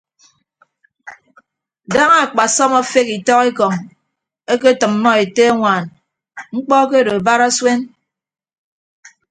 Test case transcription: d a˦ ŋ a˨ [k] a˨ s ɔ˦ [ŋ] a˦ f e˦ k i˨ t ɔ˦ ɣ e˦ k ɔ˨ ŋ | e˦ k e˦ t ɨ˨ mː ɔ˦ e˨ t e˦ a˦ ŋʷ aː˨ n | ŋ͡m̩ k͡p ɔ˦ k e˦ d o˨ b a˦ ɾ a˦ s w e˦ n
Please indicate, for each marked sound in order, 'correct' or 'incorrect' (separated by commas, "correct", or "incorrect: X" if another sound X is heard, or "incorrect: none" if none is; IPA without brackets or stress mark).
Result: incorrect: k͡p, incorrect: m